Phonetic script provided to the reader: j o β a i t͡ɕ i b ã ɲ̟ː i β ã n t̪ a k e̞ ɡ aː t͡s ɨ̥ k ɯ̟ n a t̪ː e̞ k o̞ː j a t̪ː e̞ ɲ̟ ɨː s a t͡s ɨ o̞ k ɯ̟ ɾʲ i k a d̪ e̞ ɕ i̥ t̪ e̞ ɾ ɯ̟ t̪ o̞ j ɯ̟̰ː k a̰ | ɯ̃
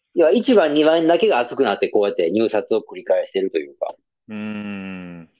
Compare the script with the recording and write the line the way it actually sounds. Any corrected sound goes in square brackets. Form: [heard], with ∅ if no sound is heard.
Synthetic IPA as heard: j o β a i t͡ɕ i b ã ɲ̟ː i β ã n [d̪] a k e̞ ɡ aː t͡s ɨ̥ k ɯ̟ n a t̪ː e̞ k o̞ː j a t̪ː e̞ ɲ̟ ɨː s a t͡s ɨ o̞ k ɯ̟ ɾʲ i k a [∅] e̞ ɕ i̥ t̪ e̞ ɾ ɯ̟ t̪ o̞ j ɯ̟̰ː k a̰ | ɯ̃